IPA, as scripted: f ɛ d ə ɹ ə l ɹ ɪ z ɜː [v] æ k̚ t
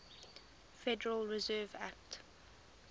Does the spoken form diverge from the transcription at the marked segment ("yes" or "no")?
no